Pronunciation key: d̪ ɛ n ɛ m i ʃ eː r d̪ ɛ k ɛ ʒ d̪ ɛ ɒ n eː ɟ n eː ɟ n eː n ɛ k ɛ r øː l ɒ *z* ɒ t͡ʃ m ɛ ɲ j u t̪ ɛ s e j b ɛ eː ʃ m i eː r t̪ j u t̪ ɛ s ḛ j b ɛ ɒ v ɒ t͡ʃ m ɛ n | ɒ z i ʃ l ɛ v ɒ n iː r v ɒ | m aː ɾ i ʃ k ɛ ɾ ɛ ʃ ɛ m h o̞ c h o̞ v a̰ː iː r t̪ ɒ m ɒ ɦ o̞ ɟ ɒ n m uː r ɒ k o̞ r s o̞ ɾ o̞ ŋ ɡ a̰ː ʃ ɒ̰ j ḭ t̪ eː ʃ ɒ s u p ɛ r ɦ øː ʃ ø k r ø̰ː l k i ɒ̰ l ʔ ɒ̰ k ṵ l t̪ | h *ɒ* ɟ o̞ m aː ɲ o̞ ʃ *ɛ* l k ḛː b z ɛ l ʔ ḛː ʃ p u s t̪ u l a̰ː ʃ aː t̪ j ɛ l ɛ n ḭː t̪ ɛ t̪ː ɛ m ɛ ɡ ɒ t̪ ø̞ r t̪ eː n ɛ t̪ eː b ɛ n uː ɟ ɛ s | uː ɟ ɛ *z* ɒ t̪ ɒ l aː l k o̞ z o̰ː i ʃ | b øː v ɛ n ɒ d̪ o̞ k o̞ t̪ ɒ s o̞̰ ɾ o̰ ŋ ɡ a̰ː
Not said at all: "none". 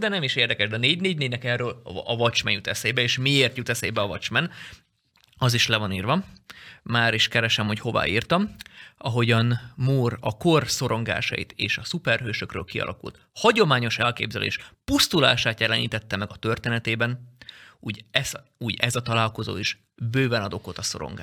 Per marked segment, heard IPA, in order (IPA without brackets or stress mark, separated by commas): v, ɒ, ɛ, z